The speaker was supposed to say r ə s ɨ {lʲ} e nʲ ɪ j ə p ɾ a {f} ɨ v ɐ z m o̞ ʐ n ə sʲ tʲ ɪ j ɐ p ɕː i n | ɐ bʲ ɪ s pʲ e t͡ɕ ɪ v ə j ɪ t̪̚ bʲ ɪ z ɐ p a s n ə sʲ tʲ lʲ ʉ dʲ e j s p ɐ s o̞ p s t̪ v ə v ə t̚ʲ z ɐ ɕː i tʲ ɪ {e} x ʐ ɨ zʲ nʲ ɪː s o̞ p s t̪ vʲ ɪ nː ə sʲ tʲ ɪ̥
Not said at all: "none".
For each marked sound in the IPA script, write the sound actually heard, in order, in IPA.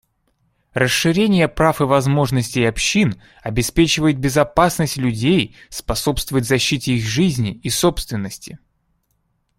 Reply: ɾʲ, f, i

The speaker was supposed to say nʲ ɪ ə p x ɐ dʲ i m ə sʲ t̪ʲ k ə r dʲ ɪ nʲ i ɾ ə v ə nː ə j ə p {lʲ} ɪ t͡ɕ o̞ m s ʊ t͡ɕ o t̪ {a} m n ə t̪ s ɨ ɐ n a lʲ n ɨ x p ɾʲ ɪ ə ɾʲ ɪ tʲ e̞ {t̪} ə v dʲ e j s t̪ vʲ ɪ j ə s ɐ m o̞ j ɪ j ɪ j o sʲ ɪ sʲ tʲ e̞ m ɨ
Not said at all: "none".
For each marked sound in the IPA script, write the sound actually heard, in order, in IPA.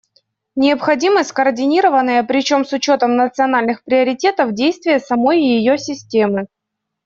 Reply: ɾʲ, ə, t̪

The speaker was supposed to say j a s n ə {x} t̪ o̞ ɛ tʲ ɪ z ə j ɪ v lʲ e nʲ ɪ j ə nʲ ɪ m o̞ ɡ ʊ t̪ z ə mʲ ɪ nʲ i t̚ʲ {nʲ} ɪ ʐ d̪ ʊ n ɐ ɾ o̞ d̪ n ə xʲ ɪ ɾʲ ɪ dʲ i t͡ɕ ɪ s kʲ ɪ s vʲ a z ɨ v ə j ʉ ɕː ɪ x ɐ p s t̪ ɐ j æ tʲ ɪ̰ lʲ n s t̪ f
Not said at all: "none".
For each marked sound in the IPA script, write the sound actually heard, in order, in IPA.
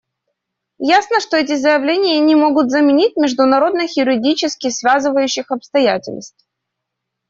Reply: ʂ, mʲ

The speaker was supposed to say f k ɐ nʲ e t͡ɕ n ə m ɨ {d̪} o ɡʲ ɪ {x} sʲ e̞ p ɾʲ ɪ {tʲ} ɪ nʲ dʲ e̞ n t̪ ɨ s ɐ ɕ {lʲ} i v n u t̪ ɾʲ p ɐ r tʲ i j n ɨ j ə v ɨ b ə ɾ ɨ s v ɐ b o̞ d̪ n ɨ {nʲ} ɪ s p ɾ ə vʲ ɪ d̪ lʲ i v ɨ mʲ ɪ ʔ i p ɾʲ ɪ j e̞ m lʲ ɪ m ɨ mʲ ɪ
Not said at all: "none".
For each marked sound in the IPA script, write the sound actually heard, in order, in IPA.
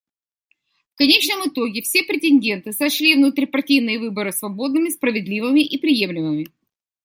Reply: t̪, f, tʲ, lʲ, mʲ

